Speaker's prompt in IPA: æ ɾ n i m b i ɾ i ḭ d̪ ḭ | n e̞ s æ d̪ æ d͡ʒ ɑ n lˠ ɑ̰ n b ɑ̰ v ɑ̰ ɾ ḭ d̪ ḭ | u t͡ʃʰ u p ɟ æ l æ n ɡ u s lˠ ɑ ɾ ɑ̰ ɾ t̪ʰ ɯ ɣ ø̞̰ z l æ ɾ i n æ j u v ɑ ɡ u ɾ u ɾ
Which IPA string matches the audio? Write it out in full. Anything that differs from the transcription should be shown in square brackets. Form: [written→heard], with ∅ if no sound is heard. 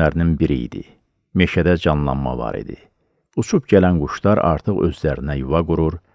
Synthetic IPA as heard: æ ɾ n i [m→n] b i ɾ i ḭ d̪ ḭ | [n→m] e̞ [s→ʃ] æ d̪ æ d͡ʒ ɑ n lˠ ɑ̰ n [b→m] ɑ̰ v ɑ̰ ɾ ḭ d̪ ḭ | u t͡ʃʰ u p ɟ æ l æ n ɡ u [s→ʃ] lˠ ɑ ɾ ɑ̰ ɾ t̪ʰ ɯ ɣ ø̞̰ z l æ ɾ i n æ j u v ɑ ɡ u ɾ u ɾ